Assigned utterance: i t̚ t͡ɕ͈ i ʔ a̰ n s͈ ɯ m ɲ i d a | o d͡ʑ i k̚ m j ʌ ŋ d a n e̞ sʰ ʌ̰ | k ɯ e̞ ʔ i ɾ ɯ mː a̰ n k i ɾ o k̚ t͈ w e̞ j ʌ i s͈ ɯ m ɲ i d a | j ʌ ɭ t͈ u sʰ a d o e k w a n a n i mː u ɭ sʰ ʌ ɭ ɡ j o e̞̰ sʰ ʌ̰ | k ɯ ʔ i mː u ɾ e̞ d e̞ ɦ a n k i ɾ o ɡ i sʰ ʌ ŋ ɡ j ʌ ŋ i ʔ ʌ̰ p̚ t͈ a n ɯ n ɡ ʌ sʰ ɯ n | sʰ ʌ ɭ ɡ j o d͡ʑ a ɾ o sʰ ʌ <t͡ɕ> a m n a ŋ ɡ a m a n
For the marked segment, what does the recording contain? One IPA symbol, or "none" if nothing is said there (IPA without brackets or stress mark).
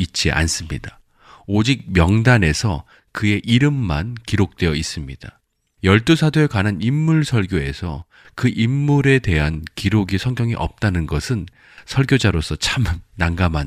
t͡ɕʰ